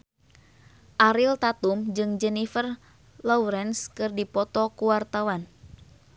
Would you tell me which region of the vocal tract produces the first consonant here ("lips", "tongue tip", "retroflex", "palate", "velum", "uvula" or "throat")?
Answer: throat